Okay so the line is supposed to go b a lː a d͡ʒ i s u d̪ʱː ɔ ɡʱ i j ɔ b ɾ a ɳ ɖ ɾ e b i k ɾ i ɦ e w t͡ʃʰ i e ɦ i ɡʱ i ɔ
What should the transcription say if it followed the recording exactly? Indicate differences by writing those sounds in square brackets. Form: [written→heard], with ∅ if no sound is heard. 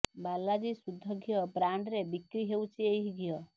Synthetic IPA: b a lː a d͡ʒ i s u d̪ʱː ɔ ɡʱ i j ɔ b ɾ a ɳ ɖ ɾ e b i k ɾ i ɦ e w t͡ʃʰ i e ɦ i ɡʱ [i→j] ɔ